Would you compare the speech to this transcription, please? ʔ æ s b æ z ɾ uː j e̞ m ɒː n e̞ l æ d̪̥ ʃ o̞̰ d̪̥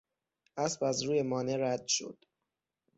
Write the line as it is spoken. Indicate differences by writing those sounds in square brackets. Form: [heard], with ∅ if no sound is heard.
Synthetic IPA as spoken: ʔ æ s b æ z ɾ uː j e̞ m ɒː n e̞ [ɾ] æ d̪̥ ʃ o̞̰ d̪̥